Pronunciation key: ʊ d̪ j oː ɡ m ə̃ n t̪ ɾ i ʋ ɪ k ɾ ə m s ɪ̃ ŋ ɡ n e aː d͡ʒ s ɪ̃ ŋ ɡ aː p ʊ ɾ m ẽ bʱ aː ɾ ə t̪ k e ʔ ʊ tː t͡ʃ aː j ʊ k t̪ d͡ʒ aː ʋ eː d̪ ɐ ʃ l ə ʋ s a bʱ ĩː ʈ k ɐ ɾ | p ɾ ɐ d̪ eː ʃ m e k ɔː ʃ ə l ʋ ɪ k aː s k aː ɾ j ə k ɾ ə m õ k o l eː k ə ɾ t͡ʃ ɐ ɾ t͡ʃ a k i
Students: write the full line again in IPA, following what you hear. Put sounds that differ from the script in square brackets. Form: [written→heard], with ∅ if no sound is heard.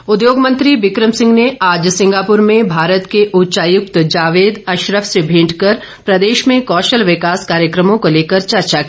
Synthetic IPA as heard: ʊ d̪ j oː ɡ m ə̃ n t̪ ɾ i ʋ ɪ k ɾ ə m s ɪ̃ ŋ ɡ n e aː d͡ʒ s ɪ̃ ŋ ɡ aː p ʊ ɾ m ẽ bʱ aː ɾ ə t̪ k e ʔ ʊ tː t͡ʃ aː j ʊ k t̪ d͡ʒ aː ʋ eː d̪ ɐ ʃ [l→ɾ] ə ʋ s [a→e] bʱ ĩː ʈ k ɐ ɾ | p ɾ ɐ d̪ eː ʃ m [e→ẽ] k ɔː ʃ ə l ʋ ɪ k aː s k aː ɾ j ə k ɾ ə m õ k o l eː k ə ɾ t͡ʃ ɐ ɾ t͡ʃ a k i